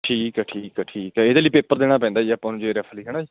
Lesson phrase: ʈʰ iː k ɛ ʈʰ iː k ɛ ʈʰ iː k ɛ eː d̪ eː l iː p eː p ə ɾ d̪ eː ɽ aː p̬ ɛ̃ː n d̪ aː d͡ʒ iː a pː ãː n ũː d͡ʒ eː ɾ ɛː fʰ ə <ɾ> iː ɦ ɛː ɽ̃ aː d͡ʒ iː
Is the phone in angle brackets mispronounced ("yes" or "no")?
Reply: yes